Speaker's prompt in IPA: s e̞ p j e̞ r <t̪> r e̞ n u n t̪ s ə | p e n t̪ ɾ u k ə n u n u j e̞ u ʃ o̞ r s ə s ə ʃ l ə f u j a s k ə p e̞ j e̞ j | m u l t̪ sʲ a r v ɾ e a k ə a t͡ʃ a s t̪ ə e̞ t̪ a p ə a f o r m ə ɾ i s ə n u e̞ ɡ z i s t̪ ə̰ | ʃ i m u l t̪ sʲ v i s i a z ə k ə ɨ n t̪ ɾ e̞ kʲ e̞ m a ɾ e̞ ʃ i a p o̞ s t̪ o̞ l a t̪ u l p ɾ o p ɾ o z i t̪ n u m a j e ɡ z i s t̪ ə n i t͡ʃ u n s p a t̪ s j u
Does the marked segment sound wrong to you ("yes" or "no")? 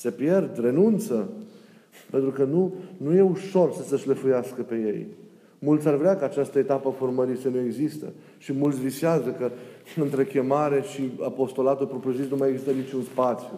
yes